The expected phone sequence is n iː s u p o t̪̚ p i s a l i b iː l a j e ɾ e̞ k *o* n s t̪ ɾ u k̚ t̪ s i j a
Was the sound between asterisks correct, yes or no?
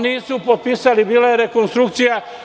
yes